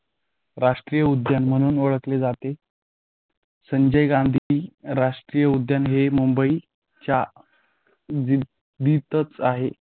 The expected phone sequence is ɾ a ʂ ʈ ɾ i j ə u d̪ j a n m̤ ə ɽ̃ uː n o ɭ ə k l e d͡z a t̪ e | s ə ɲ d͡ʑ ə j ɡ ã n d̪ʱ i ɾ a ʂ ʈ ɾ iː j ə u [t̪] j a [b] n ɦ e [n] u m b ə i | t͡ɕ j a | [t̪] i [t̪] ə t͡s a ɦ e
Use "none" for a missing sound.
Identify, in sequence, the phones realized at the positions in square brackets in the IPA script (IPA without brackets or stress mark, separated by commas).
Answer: d̪, none, m, d̪, t̪